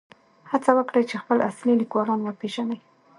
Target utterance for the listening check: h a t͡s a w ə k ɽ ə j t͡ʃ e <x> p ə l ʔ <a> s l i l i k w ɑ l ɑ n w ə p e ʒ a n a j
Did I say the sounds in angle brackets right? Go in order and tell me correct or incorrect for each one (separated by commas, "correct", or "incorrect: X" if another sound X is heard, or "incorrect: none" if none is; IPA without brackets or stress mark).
correct, correct